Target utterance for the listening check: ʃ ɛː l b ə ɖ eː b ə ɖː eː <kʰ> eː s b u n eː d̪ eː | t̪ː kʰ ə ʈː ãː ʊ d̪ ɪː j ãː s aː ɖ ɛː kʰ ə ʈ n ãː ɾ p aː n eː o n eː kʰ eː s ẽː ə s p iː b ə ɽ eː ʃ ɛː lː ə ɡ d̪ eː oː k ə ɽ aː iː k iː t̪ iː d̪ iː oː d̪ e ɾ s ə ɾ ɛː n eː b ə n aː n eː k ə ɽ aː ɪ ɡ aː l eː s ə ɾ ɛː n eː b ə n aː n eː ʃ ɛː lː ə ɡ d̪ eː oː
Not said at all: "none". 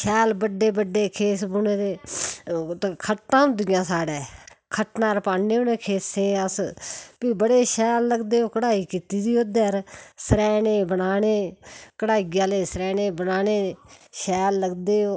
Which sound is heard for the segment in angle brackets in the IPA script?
kʰ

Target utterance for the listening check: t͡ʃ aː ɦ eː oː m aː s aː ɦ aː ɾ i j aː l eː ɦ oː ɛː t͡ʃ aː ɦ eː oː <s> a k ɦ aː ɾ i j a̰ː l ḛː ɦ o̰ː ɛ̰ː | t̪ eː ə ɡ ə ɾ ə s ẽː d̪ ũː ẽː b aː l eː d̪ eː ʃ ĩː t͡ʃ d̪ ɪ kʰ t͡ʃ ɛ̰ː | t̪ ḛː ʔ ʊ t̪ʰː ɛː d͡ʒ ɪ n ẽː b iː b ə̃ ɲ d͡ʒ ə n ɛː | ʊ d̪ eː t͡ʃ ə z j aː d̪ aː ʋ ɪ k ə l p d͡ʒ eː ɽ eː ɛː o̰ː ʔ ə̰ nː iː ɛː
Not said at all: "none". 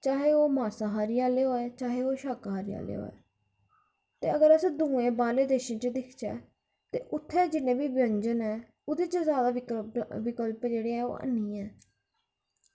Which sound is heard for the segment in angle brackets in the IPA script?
ʃ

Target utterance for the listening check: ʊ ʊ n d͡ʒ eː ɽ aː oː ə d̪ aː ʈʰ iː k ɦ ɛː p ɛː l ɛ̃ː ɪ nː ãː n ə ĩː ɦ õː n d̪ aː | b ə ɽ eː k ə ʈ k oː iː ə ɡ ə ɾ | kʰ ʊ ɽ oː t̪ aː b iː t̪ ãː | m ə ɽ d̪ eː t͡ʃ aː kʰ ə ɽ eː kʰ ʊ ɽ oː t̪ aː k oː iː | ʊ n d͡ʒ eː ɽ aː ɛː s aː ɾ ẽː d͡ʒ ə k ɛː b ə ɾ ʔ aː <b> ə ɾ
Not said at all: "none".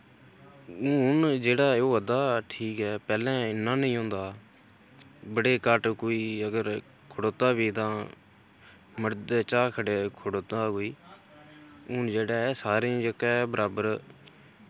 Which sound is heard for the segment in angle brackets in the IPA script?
b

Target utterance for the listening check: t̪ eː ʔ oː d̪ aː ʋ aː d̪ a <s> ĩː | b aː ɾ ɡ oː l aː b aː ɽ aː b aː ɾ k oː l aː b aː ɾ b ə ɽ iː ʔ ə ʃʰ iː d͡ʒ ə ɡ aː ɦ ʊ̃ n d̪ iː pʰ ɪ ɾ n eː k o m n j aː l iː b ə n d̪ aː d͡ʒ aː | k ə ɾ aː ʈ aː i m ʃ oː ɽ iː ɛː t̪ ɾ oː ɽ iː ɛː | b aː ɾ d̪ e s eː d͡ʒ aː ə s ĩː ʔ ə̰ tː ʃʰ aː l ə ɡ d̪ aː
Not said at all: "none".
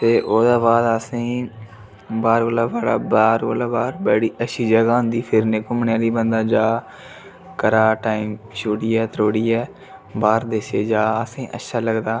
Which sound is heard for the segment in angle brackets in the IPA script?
s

